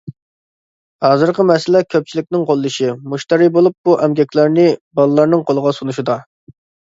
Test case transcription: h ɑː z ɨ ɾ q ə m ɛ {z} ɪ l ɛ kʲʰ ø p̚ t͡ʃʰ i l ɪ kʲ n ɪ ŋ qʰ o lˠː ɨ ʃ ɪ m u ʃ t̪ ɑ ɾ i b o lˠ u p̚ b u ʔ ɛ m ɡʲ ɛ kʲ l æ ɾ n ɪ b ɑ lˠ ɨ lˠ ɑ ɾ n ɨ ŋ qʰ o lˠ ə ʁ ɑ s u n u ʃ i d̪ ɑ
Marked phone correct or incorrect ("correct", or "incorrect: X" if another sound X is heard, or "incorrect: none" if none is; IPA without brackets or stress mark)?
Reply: incorrect: s